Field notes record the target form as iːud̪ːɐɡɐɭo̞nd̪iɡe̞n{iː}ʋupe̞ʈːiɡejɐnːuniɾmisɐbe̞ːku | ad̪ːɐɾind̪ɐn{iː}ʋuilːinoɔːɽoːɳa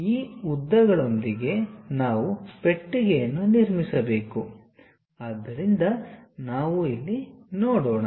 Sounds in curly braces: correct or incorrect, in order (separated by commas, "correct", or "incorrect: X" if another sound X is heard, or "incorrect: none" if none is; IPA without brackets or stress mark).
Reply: incorrect: aː, incorrect: aː